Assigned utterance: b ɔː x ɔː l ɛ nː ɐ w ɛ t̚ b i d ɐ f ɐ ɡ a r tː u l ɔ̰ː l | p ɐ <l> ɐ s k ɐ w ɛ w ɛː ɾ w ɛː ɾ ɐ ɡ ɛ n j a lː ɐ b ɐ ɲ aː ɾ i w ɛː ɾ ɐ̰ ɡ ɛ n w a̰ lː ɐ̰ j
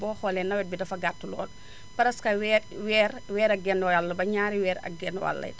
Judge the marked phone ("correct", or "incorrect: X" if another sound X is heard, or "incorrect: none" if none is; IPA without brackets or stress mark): incorrect: ɾ